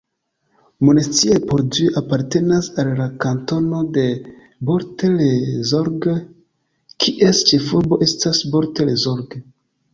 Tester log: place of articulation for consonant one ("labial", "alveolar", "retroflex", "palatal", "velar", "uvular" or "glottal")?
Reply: labial